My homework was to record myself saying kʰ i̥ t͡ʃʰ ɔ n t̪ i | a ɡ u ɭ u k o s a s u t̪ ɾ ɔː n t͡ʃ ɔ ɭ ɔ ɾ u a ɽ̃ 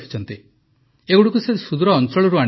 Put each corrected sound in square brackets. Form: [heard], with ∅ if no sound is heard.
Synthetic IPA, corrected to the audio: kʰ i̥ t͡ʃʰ ɔ n t̪ i | [e] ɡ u [ɽ] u k [u] s [e] s u [d̪] ɾ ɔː n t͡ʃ ɔ ɭ ɔ ɾ u a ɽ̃